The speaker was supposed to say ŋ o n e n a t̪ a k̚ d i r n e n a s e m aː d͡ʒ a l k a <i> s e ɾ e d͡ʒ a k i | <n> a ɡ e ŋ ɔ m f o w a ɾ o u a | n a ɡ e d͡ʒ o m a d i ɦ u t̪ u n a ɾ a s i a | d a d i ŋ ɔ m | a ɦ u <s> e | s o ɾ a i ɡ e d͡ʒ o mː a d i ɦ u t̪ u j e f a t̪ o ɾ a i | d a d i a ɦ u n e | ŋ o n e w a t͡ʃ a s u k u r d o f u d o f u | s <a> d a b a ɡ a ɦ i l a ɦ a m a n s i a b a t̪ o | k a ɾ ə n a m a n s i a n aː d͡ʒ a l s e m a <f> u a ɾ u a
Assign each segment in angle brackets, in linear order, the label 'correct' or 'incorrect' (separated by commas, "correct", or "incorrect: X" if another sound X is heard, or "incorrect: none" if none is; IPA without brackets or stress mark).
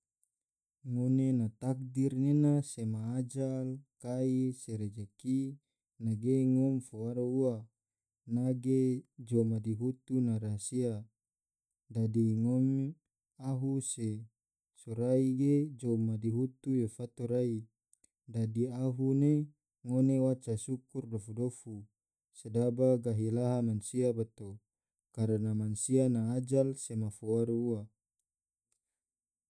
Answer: correct, correct, correct, incorrect: e, correct